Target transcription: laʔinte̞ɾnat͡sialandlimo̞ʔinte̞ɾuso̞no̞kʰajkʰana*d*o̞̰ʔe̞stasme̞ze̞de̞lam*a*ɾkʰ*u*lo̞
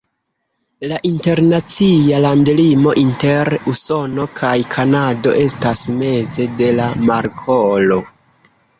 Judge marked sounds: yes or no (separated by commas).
yes, yes, no